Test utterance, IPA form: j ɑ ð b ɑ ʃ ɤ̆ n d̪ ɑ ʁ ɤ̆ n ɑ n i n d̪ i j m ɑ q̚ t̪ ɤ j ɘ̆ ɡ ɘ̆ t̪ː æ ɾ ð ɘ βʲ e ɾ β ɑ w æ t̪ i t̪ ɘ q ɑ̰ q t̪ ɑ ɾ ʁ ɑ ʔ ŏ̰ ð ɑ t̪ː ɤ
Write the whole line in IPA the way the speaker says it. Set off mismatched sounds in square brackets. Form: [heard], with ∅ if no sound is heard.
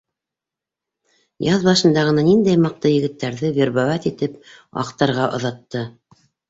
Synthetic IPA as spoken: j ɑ ð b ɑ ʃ ɤ̆ n d̪ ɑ ʁ ɤ̆ n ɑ n i n d̪ [æ] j m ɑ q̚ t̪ ɤ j ɘ̆ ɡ ɘ̆ t̪ː æ ɾ ð ɘ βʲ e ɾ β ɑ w æ t̪ i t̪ ɘ [p] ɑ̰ q t̪ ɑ ɾ ʁ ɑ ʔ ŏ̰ ð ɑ t̪ː ɤ